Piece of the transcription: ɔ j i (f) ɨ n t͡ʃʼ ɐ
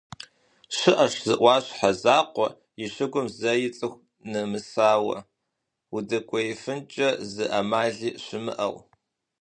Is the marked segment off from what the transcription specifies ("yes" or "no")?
no